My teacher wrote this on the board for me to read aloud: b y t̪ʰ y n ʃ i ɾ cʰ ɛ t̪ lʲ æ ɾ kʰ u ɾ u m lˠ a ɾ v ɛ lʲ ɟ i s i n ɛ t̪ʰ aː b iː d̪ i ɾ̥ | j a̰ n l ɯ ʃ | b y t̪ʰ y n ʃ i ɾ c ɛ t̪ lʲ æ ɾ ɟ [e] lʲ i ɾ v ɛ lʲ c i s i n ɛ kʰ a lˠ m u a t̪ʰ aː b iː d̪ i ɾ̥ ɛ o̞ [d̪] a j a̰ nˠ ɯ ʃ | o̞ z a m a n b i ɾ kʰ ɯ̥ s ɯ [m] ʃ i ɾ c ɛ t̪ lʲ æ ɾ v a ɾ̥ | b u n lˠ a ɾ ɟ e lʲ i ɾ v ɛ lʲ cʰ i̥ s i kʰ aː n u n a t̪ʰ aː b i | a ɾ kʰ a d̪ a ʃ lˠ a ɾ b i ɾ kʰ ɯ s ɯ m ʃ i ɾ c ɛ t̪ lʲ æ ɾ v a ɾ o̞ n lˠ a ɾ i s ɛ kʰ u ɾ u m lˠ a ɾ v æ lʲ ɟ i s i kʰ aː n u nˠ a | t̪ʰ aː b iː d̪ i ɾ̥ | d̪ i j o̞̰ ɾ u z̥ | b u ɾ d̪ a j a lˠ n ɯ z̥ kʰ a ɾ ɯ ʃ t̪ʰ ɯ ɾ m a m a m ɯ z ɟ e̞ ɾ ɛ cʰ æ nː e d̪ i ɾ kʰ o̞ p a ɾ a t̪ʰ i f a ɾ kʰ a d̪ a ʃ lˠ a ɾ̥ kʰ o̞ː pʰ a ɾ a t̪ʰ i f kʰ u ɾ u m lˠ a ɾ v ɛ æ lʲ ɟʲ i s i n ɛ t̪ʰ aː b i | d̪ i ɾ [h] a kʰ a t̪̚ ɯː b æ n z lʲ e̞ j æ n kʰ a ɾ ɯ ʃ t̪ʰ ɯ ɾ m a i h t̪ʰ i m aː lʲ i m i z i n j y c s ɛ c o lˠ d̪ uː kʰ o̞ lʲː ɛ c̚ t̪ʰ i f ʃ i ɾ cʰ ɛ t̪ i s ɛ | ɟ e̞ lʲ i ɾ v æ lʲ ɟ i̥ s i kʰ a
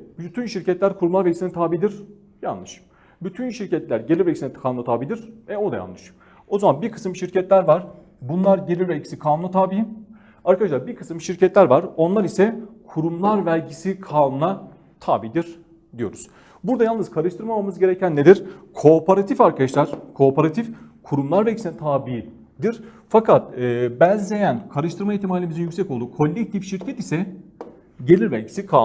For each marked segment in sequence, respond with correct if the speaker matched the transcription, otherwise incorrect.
correct, correct, correct, incorrect: f

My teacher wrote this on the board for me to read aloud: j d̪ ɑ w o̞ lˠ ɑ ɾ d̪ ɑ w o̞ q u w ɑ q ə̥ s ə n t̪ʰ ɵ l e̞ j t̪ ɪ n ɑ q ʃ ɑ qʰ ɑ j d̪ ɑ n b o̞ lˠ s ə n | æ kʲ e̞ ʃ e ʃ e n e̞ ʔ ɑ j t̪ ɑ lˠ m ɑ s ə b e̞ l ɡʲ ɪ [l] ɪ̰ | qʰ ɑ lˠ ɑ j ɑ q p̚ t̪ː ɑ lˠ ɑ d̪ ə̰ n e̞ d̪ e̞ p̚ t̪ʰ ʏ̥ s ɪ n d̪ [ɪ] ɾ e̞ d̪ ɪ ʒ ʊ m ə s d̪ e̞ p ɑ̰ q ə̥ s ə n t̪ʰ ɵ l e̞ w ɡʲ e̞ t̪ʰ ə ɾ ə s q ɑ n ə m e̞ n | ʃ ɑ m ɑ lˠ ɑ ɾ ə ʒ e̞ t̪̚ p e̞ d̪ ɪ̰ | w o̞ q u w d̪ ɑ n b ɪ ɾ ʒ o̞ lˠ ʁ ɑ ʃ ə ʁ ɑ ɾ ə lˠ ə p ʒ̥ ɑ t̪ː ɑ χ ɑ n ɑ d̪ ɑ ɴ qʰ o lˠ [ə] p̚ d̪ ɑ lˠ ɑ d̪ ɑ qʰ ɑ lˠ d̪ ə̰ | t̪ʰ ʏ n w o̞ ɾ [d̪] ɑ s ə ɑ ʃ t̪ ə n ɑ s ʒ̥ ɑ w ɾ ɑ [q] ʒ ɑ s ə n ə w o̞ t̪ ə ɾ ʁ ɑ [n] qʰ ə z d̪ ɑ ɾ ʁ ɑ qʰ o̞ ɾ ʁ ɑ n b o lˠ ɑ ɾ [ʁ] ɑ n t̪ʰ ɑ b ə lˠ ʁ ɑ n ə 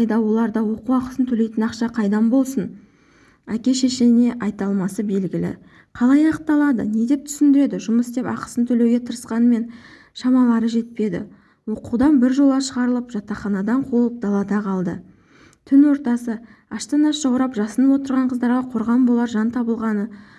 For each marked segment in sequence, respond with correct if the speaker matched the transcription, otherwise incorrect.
correct, correct, correct, incorrect: t̪, incorrect: p, incorrect: ɴ, incorrect: ʒ

